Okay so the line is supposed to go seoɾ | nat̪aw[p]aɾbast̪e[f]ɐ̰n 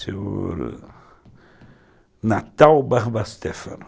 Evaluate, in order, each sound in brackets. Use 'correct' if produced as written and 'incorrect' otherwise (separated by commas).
incorrect, correct